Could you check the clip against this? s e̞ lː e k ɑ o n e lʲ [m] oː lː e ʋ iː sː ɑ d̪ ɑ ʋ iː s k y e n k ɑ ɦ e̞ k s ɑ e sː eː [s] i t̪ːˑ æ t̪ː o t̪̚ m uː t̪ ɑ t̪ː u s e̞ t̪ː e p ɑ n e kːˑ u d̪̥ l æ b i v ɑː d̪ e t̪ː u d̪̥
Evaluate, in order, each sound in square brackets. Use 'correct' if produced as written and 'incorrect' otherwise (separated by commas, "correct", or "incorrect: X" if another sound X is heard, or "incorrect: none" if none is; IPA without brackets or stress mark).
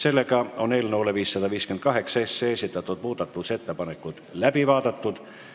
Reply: incorrect: n, correct